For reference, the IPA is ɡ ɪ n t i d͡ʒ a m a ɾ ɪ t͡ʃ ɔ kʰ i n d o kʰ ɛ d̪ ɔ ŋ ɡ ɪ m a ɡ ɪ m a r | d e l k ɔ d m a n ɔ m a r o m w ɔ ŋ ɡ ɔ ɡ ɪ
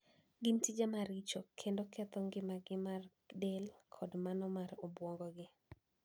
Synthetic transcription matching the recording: ɡ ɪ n t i d͡ʒ a m a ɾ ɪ t͡ʃ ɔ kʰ e n d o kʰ ɛ t̪ ɔ ŋ ɡ ɪ m a ɡ ɪ m a r | d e l kʰ ɔ d m a n ɔ m a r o b w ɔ ŋ ɡ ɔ ɡ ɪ